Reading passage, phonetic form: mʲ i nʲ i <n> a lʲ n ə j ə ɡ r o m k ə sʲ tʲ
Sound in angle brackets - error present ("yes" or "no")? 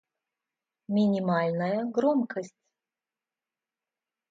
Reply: yes